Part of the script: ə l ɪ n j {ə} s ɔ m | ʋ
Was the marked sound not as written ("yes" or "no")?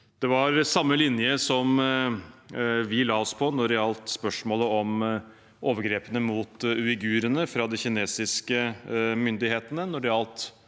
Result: no